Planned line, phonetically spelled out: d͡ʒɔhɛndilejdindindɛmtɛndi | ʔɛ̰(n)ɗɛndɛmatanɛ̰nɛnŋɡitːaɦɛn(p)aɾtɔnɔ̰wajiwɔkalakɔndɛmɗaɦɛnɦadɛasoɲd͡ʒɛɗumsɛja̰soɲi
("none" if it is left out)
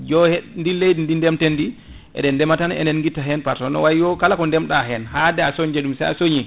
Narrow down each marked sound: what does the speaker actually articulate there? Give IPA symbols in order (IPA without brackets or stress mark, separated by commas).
none, p